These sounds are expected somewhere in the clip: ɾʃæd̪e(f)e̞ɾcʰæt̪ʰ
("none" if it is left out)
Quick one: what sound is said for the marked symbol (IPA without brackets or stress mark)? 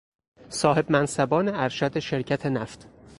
ʃ